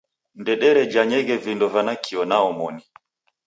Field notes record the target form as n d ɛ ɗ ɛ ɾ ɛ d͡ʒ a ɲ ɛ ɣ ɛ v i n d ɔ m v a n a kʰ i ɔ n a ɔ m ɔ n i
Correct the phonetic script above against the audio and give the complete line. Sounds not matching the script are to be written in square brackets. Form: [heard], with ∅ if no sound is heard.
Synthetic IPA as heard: n d ɛ ɗ ɛ ɾ ɛ d͡ʒ a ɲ ɛ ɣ ɛ v i n d ɔ [∅] v a n a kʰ i ɔ n a ɔ m ɔ n i